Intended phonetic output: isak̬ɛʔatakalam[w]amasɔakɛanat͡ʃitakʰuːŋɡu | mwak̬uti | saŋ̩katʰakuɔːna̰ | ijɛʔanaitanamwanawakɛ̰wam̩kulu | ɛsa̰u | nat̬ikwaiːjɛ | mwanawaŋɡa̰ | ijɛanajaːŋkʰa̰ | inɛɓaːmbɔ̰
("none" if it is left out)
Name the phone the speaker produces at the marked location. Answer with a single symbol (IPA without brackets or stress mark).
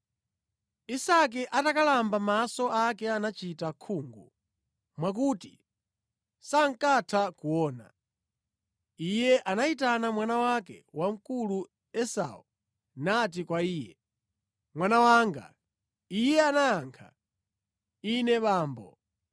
b